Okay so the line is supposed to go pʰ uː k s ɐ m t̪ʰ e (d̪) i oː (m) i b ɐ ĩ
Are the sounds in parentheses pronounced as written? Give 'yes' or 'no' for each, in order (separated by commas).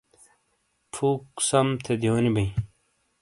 yes, no